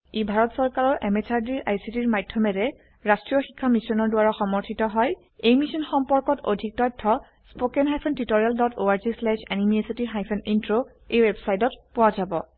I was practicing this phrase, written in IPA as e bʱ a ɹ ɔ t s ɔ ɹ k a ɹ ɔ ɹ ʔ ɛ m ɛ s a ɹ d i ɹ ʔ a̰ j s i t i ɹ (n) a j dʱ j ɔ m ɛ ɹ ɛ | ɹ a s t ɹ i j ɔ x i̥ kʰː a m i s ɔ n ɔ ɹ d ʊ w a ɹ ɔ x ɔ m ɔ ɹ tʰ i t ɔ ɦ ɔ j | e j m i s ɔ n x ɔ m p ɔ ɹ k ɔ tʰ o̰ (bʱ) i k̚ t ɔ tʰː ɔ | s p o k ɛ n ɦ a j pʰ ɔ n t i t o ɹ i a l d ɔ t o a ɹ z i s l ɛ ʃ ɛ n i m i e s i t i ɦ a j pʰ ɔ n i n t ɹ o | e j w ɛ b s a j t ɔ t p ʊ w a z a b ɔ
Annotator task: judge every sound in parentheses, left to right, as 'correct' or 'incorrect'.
incorrect: m, incorrect: dʱ

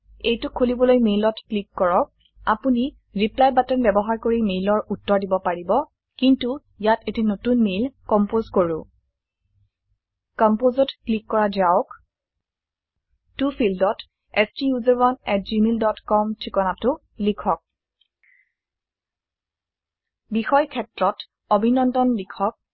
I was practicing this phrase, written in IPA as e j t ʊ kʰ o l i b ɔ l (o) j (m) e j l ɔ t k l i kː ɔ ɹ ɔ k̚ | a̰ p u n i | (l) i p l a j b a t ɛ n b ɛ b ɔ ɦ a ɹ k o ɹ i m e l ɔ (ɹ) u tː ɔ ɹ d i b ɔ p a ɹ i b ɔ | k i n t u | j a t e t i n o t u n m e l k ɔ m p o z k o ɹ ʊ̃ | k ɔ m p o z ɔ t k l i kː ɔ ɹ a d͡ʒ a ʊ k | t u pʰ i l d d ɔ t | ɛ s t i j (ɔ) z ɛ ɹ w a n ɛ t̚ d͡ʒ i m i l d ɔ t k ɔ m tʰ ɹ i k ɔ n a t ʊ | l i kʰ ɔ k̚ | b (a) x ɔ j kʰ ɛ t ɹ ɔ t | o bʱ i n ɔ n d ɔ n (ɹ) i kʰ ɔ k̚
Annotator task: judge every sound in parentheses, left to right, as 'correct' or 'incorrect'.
correct, correct, incorrect: ɹ, correct, incorrect: u, incorrect: i, incorrect: l

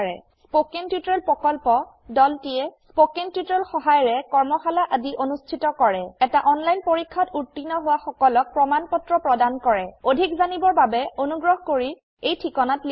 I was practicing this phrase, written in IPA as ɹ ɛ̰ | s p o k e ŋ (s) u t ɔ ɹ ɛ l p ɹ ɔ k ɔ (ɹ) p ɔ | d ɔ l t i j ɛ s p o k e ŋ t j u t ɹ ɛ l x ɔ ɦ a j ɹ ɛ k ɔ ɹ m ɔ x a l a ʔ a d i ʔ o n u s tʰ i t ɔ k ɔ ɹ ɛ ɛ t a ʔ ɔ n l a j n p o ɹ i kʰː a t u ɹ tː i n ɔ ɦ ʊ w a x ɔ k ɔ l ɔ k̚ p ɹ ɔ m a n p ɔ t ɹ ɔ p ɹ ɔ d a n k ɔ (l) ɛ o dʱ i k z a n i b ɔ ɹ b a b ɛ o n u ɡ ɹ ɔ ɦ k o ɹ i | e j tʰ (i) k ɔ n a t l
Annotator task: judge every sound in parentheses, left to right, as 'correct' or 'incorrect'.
incorrect: t, incorrect: l, incorrect: ɹ, correct

